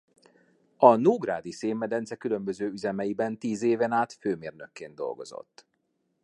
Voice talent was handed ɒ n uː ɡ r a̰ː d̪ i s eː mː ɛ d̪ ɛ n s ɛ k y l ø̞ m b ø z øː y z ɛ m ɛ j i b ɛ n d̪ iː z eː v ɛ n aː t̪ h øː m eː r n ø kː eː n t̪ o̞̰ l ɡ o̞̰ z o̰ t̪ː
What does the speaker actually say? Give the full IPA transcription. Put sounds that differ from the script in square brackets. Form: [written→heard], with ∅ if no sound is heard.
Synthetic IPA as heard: ɒ n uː ɡ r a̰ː d̪ i s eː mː ɛ d̪ ɛ n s ɛ k y l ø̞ m b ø z øː y z ɛ m ɛ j i b ɛ n [d̪→t̪] iː z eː v ɛ n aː t̪ [h→f] øː m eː r n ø kː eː n [t̪→d̪] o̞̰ l ɡ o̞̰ z o̰ t̪ː